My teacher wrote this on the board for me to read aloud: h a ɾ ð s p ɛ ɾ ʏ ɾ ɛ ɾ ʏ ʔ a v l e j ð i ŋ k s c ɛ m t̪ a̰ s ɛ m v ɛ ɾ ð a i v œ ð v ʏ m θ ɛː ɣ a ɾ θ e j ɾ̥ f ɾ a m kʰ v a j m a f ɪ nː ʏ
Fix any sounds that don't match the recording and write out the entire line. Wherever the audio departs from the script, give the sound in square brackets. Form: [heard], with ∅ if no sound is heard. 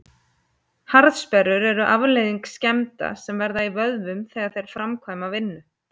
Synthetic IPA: h a ɾ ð s p ɛ ɾ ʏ ɾ ɛ ɾ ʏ ʔ a v l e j ð i ŋ k s c ɛ m t̪ a̰ s ɛ m v ɛ ɾ ð a i v œ ð v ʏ m θ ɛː ɣ a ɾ θ e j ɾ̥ f ɾ a m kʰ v a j m a [v] ɪ nː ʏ